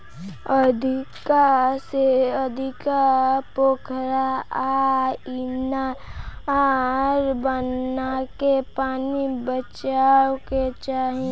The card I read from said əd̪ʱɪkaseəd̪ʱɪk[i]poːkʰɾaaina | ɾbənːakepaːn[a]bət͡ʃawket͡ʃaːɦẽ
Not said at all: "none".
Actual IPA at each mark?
a, i

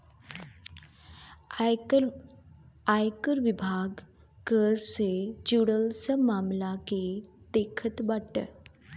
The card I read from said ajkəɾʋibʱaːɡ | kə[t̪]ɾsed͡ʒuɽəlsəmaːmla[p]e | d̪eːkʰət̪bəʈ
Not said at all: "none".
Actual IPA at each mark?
none, k

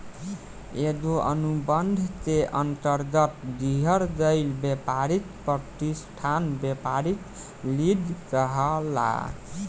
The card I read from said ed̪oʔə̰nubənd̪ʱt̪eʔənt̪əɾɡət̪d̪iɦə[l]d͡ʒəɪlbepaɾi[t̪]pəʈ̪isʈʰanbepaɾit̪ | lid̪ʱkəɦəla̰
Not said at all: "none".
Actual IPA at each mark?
ɾ, t̪

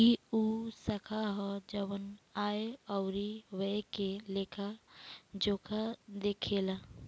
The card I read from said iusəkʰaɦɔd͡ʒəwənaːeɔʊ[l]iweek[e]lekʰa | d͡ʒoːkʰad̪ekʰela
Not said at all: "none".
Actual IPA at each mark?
ɾ, e

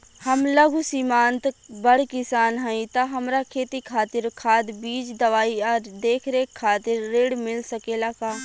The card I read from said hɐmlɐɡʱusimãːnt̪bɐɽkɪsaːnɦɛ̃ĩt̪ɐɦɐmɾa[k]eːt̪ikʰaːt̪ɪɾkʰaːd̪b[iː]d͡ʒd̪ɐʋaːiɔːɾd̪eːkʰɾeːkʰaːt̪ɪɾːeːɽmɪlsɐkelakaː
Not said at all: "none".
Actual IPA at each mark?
kʰ, iː

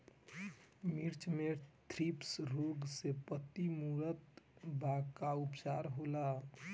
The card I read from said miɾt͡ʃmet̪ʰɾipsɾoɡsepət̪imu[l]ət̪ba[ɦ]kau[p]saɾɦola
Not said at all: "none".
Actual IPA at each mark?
ɾ, none, p

